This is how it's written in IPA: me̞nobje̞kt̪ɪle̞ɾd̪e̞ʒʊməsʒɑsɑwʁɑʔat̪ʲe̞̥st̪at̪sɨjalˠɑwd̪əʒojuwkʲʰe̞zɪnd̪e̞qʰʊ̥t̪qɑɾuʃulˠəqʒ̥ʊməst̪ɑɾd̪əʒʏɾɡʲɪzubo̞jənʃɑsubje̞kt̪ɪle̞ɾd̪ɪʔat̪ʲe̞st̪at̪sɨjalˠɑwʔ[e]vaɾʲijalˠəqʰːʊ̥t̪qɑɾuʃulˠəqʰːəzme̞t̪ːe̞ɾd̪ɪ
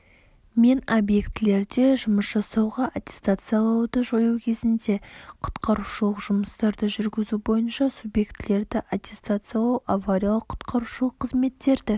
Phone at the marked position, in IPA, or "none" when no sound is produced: a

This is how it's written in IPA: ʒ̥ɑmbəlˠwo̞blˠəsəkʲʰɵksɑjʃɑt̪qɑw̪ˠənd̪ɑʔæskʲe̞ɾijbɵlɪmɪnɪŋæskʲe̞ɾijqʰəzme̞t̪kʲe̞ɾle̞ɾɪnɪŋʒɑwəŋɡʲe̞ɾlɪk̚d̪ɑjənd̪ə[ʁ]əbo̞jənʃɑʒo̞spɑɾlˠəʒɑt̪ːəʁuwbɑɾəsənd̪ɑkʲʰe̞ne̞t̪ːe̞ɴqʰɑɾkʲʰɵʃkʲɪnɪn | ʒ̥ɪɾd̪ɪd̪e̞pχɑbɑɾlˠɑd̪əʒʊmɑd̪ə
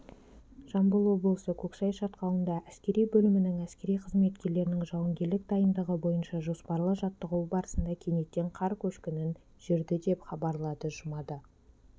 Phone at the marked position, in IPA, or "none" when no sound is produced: ʁ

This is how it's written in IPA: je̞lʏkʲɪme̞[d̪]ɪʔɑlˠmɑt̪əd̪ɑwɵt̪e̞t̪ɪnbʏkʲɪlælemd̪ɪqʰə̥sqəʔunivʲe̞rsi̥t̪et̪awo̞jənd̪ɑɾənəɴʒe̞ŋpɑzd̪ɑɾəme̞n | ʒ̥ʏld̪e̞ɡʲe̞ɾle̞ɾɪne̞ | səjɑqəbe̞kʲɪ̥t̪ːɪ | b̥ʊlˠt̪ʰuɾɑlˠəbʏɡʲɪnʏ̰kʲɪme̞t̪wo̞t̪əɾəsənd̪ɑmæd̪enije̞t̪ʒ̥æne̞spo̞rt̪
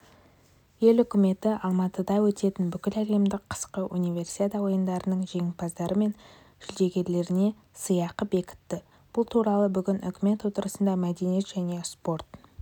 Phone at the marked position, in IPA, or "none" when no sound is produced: t̪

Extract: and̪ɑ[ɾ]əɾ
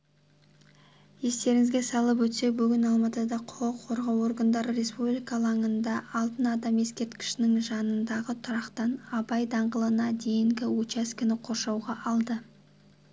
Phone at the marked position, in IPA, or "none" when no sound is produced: ɾ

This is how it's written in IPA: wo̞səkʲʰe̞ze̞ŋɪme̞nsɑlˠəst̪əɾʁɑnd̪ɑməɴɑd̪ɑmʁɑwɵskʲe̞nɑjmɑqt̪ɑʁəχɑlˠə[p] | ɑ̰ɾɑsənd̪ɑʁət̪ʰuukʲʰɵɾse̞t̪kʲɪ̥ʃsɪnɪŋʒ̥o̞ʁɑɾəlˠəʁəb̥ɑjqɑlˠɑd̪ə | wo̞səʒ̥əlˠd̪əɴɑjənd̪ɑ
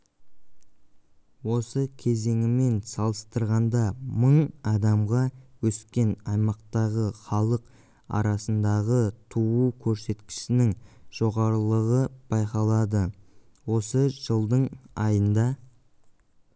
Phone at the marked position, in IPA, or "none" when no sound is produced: q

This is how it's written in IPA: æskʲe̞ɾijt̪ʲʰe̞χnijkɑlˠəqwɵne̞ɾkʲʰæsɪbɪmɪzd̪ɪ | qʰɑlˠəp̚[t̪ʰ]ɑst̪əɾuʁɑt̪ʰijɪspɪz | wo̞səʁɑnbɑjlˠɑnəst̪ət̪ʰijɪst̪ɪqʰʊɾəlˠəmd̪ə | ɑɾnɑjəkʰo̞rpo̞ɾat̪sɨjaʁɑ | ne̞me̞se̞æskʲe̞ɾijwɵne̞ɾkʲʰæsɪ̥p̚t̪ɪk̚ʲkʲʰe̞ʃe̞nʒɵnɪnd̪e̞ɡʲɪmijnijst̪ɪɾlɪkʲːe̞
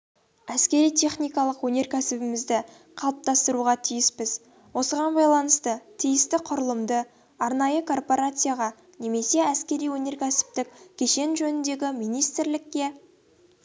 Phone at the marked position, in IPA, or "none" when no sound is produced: t̪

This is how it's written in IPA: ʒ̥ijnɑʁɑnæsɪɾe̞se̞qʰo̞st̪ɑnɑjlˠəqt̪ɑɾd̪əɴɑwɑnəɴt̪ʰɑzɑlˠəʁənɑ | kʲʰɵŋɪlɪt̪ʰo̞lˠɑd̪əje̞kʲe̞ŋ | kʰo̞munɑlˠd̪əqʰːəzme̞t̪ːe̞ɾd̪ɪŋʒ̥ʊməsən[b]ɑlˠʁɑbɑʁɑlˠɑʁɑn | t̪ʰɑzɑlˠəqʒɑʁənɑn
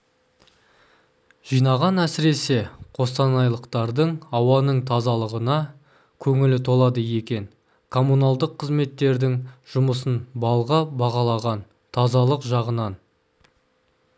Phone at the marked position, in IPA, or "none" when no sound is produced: b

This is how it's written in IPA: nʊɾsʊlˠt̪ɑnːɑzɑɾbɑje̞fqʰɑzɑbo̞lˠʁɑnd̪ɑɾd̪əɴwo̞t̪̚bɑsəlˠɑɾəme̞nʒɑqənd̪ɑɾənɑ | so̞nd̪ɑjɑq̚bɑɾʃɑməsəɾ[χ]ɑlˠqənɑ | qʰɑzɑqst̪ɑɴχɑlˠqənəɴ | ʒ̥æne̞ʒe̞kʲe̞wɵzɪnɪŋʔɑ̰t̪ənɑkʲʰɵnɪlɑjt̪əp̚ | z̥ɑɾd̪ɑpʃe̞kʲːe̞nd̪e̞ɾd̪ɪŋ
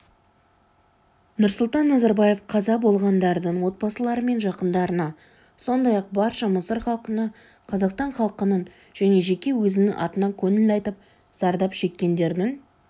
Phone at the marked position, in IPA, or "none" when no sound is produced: χ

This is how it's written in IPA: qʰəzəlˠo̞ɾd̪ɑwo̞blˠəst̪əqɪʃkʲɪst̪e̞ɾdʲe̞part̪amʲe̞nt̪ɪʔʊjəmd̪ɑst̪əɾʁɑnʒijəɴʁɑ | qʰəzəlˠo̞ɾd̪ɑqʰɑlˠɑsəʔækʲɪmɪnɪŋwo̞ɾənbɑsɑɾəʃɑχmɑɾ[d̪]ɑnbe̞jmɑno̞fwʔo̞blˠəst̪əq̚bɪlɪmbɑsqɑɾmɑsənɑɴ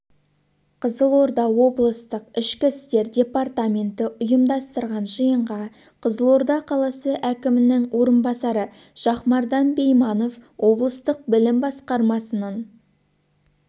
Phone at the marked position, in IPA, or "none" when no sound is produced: d̪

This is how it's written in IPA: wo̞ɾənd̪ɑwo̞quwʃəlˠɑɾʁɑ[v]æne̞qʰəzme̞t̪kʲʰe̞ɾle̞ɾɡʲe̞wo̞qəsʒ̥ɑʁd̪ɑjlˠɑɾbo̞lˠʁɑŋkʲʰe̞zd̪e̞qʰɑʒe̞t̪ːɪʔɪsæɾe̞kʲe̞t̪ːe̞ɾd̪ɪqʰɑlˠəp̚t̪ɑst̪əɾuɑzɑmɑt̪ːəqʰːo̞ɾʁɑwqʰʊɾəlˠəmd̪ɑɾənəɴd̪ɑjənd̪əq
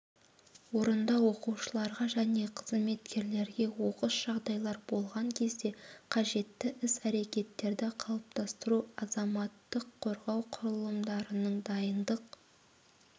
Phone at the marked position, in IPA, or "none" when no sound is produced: ʒ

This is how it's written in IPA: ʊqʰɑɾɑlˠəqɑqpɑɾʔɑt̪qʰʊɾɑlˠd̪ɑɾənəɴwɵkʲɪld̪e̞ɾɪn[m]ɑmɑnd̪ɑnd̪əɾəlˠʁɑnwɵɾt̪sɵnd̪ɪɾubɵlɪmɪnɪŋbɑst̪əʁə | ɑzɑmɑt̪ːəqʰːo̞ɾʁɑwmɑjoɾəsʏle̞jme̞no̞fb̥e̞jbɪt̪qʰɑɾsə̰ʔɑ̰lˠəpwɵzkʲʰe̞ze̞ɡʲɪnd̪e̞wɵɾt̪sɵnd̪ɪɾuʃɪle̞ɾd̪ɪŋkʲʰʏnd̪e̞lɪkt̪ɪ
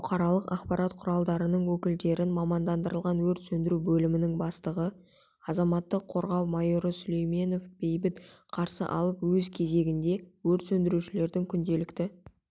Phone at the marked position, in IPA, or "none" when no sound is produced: m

